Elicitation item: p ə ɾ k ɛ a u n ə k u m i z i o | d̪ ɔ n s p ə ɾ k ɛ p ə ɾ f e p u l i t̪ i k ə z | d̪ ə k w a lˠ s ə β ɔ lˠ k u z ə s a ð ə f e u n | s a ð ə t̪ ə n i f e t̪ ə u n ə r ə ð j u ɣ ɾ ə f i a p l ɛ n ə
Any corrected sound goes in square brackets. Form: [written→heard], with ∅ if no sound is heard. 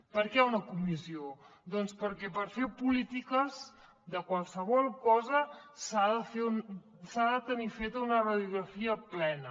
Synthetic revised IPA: p ə ɾ k ɛ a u n ə k u m i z i o | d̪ ɔ n s p ə ɾ k ɛ p ə ɾ f e p u l i t̪ i k ə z | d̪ ə k w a lˠ s ə β ɔ lˠ k [u→ɔ] z ə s a ð ə f e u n | s a ð ə t̪ ə n i f e t̪ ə u n ə r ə ð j u ɣ ɾ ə f i [a→ə] p l ɛ n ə